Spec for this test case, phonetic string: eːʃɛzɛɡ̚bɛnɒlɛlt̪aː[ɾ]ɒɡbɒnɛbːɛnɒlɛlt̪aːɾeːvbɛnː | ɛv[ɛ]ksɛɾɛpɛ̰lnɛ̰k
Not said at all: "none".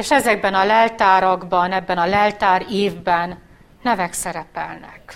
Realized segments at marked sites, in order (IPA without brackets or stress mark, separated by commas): ɾ, ɛ